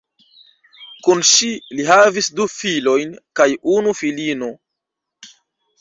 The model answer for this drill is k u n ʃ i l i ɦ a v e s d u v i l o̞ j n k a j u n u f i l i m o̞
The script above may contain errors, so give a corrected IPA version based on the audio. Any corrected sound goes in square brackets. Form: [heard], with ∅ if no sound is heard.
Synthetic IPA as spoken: k u n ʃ i l i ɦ a v [i] s d u [f] i l o̞ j n k a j u n u f i l i [n] o̞